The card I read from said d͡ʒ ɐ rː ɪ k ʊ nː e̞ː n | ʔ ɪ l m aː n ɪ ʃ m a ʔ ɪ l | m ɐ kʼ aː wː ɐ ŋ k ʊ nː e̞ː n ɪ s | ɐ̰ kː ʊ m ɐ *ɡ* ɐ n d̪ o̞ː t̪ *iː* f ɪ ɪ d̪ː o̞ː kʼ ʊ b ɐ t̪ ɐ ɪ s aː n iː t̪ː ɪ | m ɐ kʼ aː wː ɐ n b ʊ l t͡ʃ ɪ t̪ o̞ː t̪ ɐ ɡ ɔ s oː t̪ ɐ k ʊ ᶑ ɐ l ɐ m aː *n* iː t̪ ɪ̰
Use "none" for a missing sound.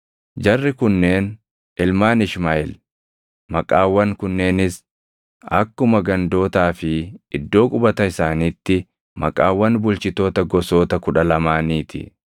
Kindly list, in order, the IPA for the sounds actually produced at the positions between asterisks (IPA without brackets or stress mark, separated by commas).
ɡ, aː, n